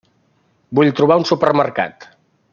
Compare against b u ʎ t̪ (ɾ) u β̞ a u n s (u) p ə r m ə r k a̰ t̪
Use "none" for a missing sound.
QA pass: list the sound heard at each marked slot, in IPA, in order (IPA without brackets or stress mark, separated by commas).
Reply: ɾ, u